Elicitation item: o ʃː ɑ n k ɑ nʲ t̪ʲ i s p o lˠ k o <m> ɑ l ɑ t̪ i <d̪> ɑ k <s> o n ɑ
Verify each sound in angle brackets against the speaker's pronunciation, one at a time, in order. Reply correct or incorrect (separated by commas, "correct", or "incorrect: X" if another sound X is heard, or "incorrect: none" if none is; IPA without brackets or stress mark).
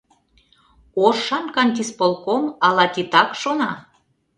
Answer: correct, incorrect: t̪, incorrect: ʃ